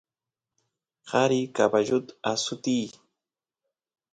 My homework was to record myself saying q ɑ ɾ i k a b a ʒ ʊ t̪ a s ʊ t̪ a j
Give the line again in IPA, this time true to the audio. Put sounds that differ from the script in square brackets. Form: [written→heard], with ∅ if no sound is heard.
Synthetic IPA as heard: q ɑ ɾ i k a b a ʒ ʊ t̪ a s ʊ t̪ [a→i] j